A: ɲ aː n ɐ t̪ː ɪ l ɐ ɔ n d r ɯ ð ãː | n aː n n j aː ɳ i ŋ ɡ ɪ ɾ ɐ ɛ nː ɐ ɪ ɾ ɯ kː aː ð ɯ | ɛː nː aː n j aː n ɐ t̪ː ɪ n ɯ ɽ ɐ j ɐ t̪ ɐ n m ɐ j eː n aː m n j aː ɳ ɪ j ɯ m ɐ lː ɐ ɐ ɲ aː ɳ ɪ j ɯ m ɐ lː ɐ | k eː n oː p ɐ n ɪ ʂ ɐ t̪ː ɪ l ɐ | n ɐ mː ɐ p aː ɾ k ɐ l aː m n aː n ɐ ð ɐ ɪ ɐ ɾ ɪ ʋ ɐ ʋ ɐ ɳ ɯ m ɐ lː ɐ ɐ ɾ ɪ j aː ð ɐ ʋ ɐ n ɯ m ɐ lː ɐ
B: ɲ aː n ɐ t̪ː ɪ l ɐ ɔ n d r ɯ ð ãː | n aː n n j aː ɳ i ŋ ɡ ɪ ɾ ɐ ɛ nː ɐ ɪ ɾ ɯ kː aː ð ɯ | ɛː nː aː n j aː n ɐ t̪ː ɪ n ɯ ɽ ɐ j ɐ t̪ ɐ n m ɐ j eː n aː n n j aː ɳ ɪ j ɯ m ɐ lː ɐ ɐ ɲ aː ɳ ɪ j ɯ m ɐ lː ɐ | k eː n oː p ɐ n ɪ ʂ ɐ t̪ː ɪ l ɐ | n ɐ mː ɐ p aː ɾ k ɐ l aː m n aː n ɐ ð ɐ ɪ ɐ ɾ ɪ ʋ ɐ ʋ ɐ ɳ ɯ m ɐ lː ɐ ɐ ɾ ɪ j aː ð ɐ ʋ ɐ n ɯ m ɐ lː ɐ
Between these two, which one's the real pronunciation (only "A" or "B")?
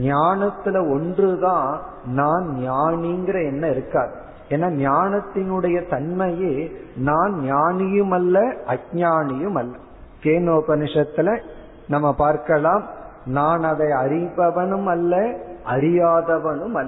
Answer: B